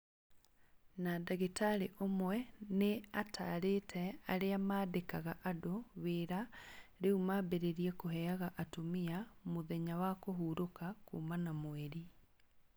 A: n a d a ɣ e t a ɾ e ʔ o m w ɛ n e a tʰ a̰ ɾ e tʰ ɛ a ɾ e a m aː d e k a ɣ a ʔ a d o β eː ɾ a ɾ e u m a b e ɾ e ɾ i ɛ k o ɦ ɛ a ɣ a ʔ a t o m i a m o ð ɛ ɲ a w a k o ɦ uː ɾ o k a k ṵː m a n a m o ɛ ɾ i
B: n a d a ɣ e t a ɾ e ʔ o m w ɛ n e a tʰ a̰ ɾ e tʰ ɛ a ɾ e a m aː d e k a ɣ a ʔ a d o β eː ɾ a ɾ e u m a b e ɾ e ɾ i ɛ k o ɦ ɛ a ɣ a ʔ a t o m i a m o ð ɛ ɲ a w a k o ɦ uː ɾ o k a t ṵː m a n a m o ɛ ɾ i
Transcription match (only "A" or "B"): A